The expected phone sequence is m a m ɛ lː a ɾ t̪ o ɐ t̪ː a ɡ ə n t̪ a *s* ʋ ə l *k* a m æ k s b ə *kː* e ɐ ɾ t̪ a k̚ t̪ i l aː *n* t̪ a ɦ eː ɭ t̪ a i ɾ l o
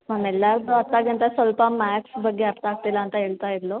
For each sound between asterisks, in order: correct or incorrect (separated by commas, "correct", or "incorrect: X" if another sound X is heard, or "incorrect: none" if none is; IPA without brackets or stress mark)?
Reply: correct, incorrect: p, incorrect: ɡː, correct